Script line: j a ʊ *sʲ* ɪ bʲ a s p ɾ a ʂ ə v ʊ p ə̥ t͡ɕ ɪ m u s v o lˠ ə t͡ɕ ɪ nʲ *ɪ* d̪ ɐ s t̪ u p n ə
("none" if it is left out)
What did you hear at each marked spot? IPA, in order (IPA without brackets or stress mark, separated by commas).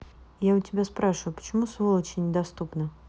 tʲ, ɪ